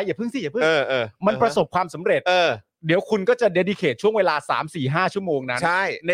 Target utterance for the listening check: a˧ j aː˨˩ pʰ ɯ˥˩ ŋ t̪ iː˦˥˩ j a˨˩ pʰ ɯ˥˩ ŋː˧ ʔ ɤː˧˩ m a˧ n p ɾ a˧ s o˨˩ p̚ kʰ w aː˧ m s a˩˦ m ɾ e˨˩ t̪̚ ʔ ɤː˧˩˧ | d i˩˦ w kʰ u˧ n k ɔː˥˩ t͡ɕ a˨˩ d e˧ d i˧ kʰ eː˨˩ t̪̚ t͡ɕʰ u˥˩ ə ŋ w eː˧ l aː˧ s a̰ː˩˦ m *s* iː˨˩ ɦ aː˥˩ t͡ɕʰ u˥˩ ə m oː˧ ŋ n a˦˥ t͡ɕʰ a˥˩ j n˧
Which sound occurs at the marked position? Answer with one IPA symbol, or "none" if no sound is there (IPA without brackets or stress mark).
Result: s